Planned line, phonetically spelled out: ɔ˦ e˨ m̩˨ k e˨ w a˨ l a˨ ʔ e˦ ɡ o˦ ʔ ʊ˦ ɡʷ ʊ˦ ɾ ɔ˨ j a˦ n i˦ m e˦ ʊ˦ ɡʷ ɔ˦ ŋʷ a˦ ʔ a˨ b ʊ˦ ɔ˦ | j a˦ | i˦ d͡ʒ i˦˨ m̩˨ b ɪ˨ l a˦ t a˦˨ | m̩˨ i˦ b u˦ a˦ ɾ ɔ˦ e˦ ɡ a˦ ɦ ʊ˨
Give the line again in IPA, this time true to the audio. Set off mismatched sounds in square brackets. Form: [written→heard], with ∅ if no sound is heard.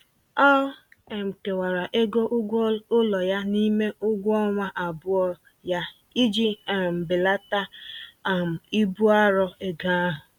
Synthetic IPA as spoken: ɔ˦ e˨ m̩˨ k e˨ w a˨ [l→ɾ] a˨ ʔ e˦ ɡ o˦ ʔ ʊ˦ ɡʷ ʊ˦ [ɾ→l] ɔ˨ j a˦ n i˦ m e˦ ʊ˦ ɡʷ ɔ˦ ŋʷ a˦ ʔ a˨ b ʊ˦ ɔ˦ | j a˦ | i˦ d͡ʒ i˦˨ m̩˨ b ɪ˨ l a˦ t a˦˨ | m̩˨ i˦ b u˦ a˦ ɾ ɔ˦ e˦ ɡ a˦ ɦ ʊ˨